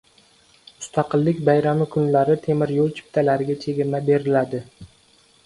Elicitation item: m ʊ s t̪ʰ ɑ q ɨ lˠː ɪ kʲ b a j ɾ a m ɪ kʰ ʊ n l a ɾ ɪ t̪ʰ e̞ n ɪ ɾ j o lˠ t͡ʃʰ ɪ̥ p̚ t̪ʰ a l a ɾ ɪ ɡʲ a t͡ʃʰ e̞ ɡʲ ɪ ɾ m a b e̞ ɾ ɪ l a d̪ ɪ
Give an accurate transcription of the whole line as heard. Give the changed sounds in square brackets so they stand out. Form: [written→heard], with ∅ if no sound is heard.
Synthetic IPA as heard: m ʊ s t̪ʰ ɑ q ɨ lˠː ɪ kʲ b a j ɾ a m ɪ kʰ ʊ n l a ɾ ɪ t̪ʰ e̞ [n→m] ɪ ɾ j o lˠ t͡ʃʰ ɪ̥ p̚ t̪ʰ a l a ɾ ɪ ɡʲ a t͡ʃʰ e̞ ɡʲ ɪ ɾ m a b e̞ ɾ ɪ l a d̪ ɪ